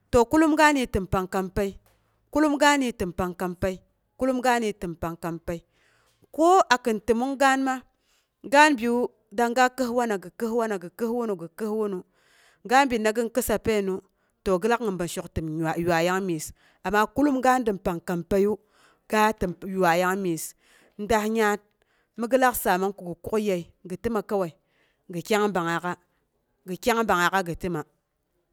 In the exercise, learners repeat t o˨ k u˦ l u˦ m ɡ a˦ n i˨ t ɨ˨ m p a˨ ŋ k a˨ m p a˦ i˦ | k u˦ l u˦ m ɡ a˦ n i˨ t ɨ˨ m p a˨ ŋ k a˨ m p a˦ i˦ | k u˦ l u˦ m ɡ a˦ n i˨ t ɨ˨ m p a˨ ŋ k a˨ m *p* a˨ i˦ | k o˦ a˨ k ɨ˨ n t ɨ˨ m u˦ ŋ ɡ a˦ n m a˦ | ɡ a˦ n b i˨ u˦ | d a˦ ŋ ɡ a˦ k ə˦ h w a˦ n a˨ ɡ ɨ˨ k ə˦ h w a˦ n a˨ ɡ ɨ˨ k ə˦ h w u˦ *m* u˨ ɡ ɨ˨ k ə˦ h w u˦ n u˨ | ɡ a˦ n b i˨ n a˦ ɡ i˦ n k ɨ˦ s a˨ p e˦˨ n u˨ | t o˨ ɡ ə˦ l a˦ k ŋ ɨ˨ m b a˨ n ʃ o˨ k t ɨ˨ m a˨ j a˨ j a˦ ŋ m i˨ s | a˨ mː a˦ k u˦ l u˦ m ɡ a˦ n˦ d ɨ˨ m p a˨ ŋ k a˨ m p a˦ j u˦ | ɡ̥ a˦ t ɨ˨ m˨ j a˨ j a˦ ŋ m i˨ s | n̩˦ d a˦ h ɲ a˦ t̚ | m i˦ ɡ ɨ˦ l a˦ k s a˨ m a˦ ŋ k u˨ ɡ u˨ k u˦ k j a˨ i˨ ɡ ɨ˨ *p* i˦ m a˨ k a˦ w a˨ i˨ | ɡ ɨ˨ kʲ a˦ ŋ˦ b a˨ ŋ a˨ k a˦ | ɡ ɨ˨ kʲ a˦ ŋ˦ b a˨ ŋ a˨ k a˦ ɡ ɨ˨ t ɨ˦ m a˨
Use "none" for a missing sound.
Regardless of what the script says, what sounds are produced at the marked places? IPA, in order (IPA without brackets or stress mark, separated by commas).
p, n, t